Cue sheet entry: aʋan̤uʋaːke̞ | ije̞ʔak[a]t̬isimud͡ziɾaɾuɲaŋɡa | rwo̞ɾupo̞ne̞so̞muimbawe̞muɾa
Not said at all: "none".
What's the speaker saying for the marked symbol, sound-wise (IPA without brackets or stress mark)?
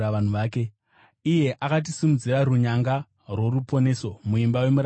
a